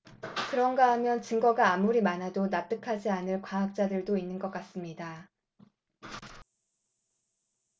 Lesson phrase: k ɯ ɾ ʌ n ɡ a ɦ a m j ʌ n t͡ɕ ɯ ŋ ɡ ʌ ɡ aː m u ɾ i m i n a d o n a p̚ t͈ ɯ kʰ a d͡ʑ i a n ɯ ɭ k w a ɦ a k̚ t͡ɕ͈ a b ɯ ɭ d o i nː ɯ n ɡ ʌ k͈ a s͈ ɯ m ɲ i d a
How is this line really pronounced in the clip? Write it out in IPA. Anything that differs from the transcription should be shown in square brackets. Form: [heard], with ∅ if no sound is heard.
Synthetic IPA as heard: k ɯ ɾ ʌ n ɡ a ɦ a m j ʌ n t͡ɕ ɯ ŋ ɡ ʌ ɡ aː m u ɾ i m [a] n a d o n a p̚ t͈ ɯ kʰ a d͡ʑ i a n ɯ ɭ k w a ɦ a k̚ t͡ɕ͈ a [d] ɯ ɭ d o i nː ɯ n ɡ ʌ k͈ a s͈ ɯ m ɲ i d a